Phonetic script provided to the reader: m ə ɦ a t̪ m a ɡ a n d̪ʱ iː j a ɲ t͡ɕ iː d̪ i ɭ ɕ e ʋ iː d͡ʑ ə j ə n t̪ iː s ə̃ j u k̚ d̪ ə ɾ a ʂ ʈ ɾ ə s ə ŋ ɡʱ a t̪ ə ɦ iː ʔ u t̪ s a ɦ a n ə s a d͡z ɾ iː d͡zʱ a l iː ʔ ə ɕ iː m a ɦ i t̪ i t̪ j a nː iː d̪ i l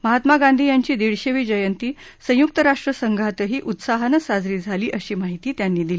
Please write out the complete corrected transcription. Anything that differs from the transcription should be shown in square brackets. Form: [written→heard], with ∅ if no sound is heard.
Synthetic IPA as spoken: m ə ɦ a t̪ m a ɡ a n d̪ʱ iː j a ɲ t͡ɕ iː d̪ i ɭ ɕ e ʋ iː d͡ʑ ə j ə n t̪ iː s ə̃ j u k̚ [d̪→t̪] ə ɾ a ʂ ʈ ɾ ə s ə ŋ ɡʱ a t̪ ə ɦ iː ʔ u t̪ s a ɦ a n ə s a d͡z ɾ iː d͡zʱ a l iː ʔ ə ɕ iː m a ɦ i t̪ [i→iː] t̪ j a nː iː d̪ i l